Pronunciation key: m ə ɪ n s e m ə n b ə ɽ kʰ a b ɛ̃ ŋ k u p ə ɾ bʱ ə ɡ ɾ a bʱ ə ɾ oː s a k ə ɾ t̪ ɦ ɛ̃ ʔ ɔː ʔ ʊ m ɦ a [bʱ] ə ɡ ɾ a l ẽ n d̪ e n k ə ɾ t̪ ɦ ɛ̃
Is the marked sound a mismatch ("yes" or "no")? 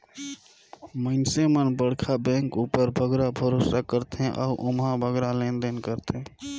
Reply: no